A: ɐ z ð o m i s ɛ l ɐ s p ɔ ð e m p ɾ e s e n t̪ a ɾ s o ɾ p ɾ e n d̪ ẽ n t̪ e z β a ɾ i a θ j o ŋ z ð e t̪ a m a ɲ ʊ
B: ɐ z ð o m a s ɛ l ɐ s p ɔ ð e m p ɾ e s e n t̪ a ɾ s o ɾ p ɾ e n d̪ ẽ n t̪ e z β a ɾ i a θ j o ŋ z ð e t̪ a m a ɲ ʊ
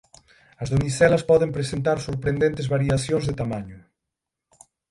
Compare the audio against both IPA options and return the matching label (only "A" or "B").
A